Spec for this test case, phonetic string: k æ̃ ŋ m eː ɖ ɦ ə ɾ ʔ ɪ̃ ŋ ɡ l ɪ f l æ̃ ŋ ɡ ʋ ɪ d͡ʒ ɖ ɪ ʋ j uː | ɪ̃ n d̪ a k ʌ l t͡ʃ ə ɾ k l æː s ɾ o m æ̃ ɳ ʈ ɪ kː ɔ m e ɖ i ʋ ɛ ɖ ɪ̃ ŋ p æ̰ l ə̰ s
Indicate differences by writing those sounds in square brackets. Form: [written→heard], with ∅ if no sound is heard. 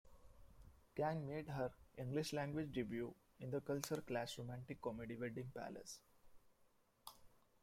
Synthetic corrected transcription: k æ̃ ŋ m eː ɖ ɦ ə ɾ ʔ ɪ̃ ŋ ɡ l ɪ [f→ʃ] l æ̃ ŋ ɡ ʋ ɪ d͡ʒ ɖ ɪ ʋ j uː | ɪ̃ n d̪ [a→ə] k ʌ l t͡ʃ ə ɾ k l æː s ɾ o m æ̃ ɳ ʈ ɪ kː ɔ m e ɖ i ʋ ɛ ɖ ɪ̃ ŋ p æ̰ l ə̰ s